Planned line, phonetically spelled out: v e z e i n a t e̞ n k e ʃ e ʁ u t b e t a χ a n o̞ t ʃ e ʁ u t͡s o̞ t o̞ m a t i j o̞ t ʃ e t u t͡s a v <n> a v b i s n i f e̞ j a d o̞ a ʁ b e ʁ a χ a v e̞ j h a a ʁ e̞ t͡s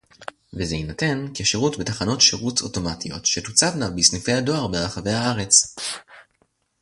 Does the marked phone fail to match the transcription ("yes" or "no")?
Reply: no